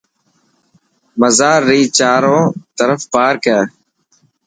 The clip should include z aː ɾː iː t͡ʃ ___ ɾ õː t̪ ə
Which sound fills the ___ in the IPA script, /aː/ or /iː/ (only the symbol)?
aː